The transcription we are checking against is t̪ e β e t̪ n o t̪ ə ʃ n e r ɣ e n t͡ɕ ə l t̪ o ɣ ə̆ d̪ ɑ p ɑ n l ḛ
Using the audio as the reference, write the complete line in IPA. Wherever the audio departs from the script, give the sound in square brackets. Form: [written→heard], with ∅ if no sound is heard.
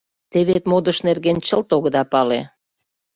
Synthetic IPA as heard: t̪ e β e t̪ [n→m] o [t̪→d̪] ə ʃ n e r ɣ e n t͡ɕ ə l t̪ o ɣ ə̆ d̪ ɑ p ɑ [n→∅] l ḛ

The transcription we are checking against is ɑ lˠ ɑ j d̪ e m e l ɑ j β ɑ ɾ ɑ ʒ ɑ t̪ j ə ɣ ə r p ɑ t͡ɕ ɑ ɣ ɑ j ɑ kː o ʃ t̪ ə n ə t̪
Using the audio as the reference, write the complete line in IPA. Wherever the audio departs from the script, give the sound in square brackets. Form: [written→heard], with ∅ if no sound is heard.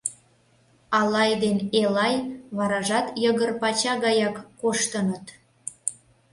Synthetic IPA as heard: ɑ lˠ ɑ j d̪ e [m→n] e l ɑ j β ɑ ɾ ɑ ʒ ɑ t̪ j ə ɣ ə r p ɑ t͡ɕ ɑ ɣ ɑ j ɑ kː o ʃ t̪ ə n ə t̪

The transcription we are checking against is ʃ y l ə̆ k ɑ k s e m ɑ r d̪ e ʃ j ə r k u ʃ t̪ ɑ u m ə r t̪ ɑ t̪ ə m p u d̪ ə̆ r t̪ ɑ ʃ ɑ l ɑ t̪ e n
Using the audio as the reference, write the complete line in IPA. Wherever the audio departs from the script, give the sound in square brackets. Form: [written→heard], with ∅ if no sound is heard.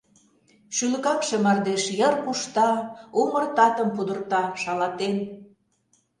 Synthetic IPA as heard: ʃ y l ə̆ k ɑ k [s→ʃ] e m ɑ r d̪ e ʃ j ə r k u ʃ t̪ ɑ u m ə r t̪ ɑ t̪ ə m p u d̪ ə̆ r t̪ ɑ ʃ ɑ l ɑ t̪ e n

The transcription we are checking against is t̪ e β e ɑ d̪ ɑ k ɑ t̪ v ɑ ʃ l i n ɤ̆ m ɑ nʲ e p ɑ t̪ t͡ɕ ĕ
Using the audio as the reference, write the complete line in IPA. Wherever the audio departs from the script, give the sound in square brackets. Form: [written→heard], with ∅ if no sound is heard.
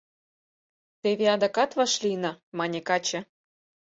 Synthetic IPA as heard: t̪ e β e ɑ d̪ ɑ k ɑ t̪ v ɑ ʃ l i n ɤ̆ m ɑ nʲ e [p→k] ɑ [t̪→∅] t͡ɕ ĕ

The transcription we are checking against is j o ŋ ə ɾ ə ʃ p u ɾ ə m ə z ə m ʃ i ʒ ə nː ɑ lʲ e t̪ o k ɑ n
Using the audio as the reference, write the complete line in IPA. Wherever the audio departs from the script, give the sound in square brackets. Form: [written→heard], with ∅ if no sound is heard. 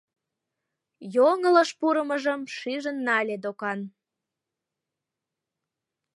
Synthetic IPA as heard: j o ŋ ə [ɾ→l] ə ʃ p u ɾ ə m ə [z→ʒ] ə m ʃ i ʒ ə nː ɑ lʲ e [t̪→d̪] o k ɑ n

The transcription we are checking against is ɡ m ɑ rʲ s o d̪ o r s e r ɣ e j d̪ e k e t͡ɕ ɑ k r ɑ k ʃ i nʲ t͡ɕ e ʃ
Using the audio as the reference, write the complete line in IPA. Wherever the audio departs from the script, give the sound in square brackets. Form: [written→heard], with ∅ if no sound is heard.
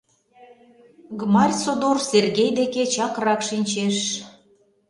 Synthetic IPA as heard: ɡ m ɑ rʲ s o d̪ o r s e r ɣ e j d̪ e k e t͡ɕ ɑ k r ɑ k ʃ i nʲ t͡ɕ e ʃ

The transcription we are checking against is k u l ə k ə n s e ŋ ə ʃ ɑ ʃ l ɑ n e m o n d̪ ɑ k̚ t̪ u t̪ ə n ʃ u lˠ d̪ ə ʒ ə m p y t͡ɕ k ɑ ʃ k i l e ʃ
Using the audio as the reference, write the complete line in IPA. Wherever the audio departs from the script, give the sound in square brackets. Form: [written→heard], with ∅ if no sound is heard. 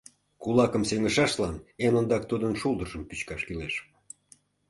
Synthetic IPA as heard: k u l [ə→ɑ] k ə [n→m] s e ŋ ə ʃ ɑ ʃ l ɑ n e [m→n] o n d̪ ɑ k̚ t̪ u [t̪→d̪] ə n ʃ u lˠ d̪ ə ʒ ə m p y t͡ɕ k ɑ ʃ k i l e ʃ

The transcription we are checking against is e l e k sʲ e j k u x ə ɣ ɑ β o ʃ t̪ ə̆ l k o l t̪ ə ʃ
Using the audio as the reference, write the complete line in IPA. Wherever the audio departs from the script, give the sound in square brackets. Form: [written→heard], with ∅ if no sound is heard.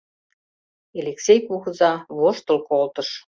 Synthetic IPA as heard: e l e k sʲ e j k u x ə [ɣ→z] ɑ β o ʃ t̪ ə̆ l k o l t̪ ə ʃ

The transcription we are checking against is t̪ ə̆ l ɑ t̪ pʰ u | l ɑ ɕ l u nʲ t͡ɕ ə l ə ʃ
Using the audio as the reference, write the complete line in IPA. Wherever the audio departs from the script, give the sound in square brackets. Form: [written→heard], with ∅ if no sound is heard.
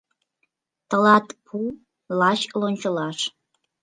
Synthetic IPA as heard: t̪ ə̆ l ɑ t̪ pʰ u | l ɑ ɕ l [u→o] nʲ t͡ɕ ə l [ə→ɑ] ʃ

